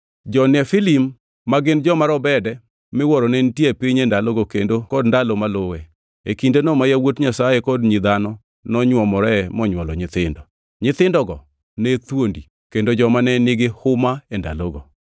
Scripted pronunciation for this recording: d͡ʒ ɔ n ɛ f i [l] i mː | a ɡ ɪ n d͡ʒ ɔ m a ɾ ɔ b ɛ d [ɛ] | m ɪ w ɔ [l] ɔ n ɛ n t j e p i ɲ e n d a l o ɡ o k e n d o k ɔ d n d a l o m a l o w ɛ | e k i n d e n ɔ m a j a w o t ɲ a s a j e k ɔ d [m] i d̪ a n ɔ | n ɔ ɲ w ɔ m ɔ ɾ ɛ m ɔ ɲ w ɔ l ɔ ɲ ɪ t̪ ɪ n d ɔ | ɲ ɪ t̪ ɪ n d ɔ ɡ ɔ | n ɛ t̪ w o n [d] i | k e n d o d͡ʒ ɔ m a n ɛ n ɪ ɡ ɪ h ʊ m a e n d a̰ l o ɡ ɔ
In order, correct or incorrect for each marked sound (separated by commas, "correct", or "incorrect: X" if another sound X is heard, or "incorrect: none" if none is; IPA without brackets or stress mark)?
correct, correct, incorrect: ɾ, incorrect: ɲ, correct